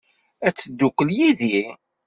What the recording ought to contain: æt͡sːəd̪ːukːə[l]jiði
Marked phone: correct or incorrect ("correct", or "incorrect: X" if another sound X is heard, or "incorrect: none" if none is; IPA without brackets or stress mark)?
correct